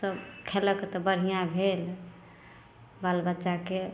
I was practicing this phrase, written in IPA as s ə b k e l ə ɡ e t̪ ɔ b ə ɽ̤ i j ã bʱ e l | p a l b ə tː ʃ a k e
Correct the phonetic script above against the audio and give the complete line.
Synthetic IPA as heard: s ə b kʰ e l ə k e t̪ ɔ b ə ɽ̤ i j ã bʱ e l | b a l b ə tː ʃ a k e